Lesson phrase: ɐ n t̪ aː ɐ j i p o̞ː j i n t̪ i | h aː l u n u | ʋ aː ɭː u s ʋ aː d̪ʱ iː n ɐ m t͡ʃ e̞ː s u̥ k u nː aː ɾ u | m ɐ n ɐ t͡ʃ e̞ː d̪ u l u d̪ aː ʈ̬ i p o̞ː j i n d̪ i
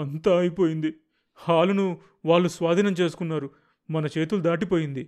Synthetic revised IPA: ɐ n t̪ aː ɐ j i p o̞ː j i n d̪ i | h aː l u n u | ʋ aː ɭː u s ʋ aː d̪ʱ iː n ɐ m t͡ʃ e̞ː s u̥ k u nː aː ɾ u | m ɐ n ɐ t͡ʃ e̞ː t̪ u l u d̪ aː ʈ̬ i p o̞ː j i n d̪ i